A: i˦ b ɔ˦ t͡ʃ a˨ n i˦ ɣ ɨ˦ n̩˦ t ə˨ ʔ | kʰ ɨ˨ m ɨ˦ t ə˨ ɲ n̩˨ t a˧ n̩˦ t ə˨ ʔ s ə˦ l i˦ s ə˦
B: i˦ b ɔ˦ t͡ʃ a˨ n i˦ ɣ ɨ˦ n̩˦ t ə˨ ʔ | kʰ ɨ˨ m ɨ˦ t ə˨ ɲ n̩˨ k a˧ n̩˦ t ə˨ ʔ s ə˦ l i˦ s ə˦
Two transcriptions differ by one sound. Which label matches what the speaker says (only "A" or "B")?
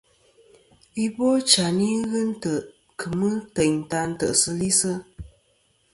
A